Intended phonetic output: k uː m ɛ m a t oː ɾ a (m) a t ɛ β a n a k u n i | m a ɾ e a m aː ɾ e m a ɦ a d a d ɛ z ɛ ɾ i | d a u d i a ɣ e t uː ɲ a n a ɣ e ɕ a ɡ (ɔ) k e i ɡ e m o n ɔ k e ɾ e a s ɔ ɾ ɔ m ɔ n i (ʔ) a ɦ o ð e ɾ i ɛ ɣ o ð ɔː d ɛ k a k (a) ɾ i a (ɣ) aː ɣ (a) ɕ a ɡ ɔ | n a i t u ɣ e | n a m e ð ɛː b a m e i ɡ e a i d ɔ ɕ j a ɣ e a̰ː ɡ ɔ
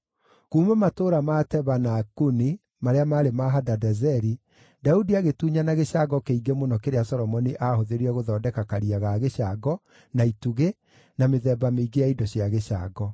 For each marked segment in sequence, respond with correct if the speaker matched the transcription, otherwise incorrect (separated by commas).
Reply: correct, correct, correct, correct, correct, incorrect